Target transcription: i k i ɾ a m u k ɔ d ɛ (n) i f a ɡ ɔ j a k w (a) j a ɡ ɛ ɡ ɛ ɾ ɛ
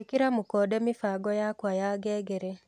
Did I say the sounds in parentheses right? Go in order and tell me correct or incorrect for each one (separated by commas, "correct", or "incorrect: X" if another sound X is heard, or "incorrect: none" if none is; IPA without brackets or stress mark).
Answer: incorrect: m, correct